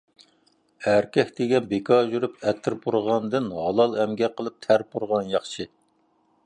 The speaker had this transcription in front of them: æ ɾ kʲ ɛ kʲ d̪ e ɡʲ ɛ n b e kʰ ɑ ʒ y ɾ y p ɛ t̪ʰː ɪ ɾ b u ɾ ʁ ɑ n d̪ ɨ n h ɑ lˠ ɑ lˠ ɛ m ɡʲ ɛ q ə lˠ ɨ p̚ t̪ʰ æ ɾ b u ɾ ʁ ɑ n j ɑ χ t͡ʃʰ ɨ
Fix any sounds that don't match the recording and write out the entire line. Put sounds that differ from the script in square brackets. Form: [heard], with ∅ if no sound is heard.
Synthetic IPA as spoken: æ ɾ kʲ ɛ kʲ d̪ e ɡʲ ɛ n b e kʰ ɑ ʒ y ɾ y p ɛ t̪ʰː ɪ ɾ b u ɾ ʁ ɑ n d̪ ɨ n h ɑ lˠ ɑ lˠ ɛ m ɡʲ ɛ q ə lˠ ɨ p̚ t̪ʰ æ ɾ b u ɾ ʁ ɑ n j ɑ χ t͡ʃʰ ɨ